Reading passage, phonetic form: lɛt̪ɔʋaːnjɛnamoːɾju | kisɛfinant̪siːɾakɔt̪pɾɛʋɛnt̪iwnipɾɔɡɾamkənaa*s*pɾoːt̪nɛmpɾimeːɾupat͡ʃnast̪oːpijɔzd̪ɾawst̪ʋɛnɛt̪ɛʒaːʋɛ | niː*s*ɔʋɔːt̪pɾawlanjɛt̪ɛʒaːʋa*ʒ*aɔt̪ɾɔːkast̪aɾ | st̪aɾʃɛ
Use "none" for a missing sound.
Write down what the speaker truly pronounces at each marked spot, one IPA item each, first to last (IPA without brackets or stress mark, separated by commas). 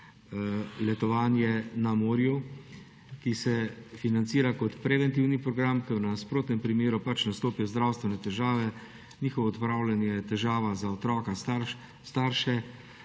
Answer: s, x, z